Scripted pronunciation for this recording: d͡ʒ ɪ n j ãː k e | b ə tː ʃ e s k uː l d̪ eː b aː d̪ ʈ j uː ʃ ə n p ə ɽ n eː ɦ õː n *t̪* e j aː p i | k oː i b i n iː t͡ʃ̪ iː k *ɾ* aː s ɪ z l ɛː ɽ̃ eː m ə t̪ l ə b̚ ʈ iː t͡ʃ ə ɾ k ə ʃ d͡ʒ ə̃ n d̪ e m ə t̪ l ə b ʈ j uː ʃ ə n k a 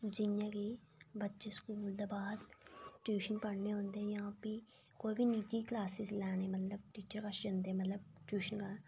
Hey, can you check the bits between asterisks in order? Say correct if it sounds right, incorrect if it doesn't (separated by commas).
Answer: incorrect, incorrect